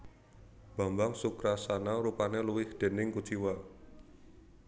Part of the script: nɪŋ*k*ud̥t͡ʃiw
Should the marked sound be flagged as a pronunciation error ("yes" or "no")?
no